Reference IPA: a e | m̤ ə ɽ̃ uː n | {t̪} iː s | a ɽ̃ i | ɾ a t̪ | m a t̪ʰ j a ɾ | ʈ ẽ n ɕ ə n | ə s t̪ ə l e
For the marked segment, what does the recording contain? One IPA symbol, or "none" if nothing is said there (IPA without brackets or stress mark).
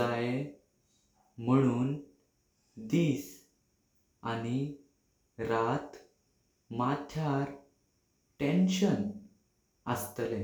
d̪